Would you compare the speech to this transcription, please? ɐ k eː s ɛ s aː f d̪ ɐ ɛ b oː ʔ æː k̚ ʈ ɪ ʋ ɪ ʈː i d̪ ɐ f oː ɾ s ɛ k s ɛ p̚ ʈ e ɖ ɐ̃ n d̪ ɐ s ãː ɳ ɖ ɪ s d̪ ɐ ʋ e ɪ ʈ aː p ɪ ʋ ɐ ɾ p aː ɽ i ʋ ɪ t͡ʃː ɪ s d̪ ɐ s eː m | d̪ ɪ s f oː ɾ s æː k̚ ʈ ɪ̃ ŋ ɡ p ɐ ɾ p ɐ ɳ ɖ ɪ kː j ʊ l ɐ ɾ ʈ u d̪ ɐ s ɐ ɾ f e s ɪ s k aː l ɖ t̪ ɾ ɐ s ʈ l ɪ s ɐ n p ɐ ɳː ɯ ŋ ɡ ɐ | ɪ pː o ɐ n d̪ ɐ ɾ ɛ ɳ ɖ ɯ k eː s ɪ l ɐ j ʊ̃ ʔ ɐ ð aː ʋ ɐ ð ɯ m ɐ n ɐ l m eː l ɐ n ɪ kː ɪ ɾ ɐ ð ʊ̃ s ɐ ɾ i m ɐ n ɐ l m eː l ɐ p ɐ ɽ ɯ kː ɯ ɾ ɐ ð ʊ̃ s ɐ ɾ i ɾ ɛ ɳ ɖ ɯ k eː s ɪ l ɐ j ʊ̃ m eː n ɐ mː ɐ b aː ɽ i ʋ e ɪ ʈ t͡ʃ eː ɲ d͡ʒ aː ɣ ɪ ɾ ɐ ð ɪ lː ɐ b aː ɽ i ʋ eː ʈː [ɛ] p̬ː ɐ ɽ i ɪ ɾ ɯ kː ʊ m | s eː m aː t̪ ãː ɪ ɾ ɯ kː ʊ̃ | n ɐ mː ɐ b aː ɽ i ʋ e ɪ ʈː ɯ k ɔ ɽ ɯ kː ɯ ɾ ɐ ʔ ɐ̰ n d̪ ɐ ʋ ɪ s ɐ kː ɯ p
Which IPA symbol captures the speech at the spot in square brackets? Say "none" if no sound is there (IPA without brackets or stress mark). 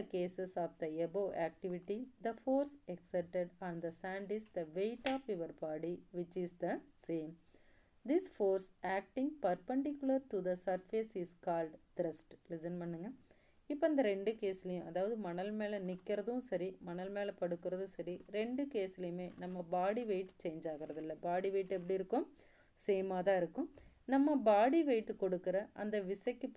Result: ɛ